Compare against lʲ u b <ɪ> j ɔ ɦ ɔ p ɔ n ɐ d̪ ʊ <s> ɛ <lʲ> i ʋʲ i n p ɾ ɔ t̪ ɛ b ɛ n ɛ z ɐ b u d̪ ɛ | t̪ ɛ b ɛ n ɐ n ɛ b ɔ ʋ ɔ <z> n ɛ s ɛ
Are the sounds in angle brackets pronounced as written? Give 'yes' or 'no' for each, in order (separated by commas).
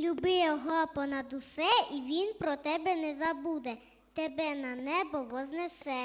yes, yes, no, yes